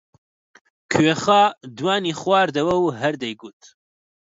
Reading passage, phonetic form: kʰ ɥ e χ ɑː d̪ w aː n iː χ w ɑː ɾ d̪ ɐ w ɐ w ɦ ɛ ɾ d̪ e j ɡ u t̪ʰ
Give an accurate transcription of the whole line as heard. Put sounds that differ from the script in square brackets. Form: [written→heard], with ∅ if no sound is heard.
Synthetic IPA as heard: kʰ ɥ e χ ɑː d̪ w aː n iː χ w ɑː ɾ d̪ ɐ w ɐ w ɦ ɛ ɾ d̪ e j ɡ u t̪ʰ